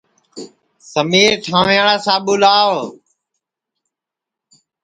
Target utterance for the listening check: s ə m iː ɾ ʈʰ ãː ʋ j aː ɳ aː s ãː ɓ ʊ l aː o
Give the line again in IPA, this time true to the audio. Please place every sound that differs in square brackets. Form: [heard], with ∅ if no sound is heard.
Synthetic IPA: s ə m iː ɾ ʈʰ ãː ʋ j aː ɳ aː s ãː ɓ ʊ l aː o